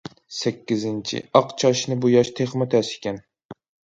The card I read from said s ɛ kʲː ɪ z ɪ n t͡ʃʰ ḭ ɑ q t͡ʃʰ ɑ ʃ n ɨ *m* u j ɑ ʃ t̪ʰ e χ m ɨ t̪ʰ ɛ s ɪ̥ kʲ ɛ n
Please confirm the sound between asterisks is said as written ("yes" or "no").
no